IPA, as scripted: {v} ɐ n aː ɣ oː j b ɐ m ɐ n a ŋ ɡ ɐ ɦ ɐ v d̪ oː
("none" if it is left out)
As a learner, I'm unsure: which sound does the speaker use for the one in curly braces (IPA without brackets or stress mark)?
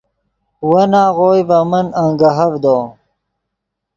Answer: w